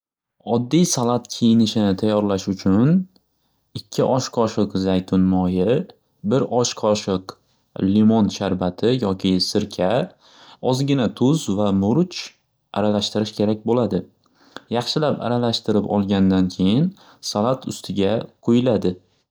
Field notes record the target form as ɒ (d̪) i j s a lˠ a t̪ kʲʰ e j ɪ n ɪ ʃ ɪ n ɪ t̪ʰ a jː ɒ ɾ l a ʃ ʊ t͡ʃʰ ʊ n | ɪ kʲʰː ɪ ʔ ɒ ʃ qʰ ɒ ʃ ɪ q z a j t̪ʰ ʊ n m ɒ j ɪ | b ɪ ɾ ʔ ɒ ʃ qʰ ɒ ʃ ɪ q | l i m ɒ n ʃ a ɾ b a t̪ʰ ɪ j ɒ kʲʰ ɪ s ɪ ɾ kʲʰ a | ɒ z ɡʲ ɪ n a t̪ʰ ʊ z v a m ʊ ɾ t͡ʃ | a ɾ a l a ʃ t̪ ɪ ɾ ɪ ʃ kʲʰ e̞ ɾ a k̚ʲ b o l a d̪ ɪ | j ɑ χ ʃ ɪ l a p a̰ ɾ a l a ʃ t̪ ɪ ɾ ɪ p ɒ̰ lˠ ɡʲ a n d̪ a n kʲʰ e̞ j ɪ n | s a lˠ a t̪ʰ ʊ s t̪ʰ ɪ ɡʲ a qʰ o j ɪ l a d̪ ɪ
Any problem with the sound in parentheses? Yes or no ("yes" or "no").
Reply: yes